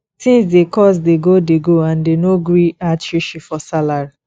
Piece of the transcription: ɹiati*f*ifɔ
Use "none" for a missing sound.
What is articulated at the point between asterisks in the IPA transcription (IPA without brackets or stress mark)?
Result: ʃ